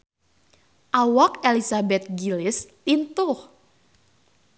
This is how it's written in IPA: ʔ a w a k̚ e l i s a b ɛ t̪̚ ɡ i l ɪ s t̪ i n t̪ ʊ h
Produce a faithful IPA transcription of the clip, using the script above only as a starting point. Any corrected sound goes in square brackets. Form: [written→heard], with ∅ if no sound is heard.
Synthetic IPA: ʔ a w a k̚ e l i s a b ɛ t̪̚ ɡ i l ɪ s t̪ i n t̪ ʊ h